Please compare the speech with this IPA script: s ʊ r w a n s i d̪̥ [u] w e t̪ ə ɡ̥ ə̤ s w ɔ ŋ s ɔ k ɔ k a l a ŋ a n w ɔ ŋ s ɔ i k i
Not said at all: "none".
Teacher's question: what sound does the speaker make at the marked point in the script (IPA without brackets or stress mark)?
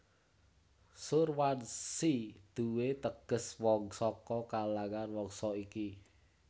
u